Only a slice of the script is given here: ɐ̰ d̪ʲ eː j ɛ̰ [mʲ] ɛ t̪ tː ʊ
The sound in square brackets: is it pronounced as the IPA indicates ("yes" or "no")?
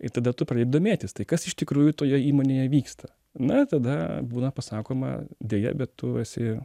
no